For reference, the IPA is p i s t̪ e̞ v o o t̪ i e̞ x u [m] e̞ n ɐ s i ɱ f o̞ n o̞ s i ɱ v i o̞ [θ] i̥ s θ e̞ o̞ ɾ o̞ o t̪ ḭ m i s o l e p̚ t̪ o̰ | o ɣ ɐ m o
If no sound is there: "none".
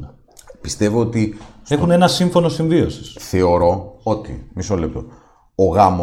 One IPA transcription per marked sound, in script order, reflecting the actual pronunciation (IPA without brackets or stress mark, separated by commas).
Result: n, s